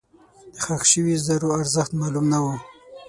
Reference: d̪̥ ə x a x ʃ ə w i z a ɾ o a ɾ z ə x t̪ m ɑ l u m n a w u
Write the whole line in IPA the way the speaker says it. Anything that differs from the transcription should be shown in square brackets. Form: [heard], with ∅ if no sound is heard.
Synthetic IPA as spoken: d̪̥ ə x a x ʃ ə w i z a ɾ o a ɾ z ə x t̪ m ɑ l u m n a w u